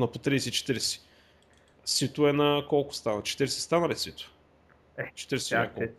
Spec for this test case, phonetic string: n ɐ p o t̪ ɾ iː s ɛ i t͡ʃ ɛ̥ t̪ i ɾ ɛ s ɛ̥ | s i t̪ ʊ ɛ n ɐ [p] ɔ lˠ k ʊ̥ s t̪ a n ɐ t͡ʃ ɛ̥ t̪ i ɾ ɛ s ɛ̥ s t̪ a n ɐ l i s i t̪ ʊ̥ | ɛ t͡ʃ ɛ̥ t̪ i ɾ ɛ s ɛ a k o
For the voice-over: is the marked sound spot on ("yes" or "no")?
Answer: no